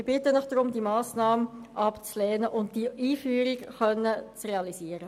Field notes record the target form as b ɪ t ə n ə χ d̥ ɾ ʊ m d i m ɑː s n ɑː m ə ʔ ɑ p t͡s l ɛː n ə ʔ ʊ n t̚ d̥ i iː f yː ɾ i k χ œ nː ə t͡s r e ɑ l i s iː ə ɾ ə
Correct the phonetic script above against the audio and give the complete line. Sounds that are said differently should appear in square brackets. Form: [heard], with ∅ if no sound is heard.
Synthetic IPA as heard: b ɪ t ə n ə χ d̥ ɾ ʊ m d i m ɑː s n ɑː m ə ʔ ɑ p t͡s l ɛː n ə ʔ ʊ n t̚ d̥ i iː f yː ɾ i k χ œ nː ə t͡s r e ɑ l i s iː ə ɾ ə